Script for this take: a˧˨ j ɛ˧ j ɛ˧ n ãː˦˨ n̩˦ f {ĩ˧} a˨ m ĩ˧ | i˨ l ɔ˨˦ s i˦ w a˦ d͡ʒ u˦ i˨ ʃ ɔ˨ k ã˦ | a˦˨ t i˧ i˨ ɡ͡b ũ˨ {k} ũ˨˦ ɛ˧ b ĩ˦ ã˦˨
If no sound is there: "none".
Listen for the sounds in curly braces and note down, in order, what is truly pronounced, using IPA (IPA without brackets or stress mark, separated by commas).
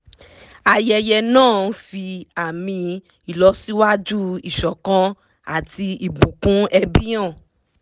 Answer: i˧, k